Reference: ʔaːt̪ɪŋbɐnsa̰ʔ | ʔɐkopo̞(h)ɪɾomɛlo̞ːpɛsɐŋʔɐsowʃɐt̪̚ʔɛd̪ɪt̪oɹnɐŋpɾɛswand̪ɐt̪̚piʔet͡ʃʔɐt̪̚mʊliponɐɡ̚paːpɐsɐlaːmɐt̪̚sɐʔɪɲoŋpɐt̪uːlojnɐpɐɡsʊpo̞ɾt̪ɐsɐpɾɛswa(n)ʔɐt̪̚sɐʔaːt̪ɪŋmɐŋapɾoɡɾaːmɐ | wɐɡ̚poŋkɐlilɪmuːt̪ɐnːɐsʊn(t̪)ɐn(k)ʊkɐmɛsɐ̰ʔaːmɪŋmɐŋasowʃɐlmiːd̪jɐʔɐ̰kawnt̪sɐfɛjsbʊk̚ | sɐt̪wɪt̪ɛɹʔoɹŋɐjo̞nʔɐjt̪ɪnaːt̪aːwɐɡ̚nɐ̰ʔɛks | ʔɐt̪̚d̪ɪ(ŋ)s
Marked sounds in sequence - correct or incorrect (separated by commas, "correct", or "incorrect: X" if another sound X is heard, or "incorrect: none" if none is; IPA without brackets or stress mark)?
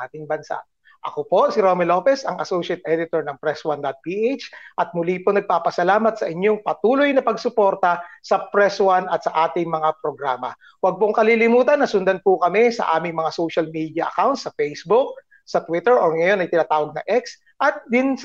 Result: incorrect: s, correct, incorrect: d̪, incorrect: p, incorrect: n